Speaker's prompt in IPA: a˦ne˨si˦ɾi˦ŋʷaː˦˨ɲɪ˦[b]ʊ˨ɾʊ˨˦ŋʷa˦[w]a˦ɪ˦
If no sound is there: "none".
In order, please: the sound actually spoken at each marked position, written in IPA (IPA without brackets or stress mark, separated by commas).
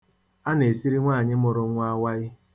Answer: m, w